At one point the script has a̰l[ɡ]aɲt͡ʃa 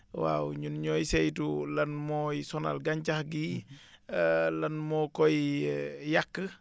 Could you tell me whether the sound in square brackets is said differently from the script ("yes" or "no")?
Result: no